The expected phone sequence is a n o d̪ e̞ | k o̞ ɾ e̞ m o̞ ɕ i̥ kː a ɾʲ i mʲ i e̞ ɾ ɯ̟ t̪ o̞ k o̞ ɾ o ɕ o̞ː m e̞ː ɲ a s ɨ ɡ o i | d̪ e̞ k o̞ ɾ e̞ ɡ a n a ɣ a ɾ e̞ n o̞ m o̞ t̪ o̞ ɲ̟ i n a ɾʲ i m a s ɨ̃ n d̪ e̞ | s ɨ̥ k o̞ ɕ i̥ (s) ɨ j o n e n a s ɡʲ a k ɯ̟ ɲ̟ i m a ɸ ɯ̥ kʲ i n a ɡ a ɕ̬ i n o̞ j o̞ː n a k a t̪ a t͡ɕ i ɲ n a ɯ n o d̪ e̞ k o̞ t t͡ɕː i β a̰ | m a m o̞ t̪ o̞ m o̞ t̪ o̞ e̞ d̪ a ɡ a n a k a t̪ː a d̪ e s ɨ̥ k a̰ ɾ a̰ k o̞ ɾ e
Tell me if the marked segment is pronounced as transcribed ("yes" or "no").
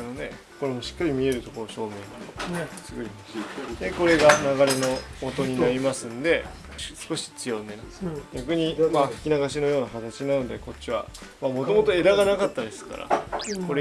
no